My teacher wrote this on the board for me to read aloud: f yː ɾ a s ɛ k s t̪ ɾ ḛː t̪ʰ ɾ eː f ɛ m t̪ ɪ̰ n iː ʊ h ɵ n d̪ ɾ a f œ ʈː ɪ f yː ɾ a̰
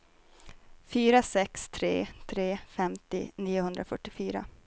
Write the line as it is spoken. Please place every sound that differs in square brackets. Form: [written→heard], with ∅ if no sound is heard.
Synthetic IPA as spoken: f yː ɾ a s ɛ k s [t̪→t̪ʰ] ɾ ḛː t̪ʰ ɾ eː f ɛ m t̪ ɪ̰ n iː ʊ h ɵ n d̪ ɾ a f œ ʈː ɪ f yː ɾ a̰